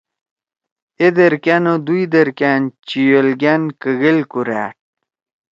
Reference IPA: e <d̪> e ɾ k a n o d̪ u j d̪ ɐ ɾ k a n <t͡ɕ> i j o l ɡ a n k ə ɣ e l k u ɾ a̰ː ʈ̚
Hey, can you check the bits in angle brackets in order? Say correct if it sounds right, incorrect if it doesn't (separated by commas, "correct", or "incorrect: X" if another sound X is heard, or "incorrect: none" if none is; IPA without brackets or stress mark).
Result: correct, correct